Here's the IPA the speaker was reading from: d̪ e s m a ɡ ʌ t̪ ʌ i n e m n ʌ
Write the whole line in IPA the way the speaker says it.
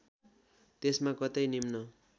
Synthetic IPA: t̪ e s m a k ʌ t̪ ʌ j n i m n ʌ